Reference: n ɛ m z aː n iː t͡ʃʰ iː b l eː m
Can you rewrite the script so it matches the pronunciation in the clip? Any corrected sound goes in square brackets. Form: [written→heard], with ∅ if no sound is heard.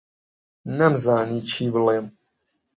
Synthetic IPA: n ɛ m z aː n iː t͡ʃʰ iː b l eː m